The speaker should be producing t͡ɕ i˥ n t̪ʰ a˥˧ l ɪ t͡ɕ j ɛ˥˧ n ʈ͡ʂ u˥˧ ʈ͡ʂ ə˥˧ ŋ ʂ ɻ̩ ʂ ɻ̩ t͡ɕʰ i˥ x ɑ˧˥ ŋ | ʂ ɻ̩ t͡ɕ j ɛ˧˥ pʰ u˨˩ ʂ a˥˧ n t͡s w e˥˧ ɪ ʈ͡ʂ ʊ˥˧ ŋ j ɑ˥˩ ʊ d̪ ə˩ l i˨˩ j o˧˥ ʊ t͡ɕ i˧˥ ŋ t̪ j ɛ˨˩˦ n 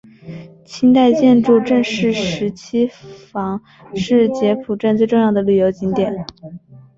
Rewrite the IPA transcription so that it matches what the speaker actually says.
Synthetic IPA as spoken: t͡ɕʰ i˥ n t̪ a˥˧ ɪ t͡ɕ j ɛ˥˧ n ʈ͡ʂ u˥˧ ʈ͡ʂ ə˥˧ ŋ ʂ ɻ̩ ʂ ɻ̩ t͡ɕʰ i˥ f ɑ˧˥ ŋ | ʂ ɻ̩ t͡ɕ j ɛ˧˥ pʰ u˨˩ ʈ͡ʂ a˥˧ n t͡s w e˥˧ ɪ ʈ͡ʂ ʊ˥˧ ŋ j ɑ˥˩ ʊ d̪ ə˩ l y˨˩ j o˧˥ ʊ t͡ɕ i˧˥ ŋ t̪ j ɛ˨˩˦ n

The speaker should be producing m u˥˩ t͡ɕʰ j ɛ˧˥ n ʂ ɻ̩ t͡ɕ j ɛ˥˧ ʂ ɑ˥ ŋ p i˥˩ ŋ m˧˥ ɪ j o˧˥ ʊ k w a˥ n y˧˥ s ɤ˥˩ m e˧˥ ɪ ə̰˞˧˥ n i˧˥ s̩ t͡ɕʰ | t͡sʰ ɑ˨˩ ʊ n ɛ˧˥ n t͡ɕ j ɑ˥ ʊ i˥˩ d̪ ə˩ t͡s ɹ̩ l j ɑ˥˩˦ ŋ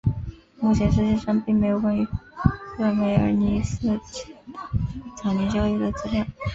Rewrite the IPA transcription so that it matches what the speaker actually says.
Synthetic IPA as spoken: m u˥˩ t͡ɕʰ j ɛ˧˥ n ʂ ɻ̩ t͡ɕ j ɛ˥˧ ʂ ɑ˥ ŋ p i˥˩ ŋ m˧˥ ɪ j o˨˩ ʊ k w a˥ n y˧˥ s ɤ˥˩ m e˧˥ ɪ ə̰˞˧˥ n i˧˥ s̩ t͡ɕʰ | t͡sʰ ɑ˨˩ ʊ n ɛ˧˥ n t͡ɕ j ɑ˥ ʊ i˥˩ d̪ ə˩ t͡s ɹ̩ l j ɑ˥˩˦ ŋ

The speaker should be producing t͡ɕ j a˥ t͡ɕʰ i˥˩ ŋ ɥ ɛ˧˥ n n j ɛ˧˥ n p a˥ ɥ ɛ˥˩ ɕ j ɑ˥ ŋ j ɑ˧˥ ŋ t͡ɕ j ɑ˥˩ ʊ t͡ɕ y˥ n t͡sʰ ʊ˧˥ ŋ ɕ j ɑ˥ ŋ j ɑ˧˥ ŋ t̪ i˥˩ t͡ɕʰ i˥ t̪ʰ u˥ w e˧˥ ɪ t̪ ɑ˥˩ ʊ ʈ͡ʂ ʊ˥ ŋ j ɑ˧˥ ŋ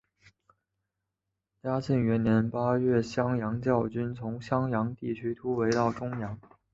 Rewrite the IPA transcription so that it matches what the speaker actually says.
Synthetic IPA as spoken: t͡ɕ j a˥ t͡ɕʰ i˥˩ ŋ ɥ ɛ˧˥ n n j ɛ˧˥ n p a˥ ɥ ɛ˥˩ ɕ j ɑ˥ ŋ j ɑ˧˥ ŋ t͡ɕ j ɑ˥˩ ʊ t͡ɕ y˥ n t͡sʰ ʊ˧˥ ŋ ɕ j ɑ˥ ŋ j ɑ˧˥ ŋ t̪ i˥˩ t͡ɕʰ y˥ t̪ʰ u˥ w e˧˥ ɪ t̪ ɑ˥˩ ʊ ʈ͡ʂ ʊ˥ ŋ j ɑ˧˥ ŋ

